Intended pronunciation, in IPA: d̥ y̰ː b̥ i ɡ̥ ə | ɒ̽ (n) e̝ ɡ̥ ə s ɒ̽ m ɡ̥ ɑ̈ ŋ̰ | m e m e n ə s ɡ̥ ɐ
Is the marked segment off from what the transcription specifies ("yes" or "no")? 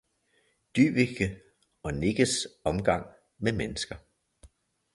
no